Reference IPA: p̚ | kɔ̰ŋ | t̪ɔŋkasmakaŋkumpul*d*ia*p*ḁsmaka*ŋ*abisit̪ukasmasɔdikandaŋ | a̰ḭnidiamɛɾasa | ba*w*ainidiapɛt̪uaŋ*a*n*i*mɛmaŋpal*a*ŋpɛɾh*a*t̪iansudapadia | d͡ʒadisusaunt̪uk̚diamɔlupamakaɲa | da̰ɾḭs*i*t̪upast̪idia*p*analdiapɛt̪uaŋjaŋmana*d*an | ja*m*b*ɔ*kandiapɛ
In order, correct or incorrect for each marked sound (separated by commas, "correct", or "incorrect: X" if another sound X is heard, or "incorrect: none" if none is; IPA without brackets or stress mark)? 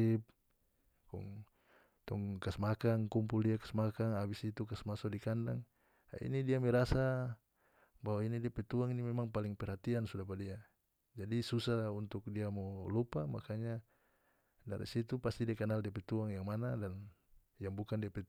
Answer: correct, incorrect: k, correct, correct, incorrect: i, correct, incorrect: i, correct, correct, incorrect: k, correct, incorrect: ŋ, incorrect: u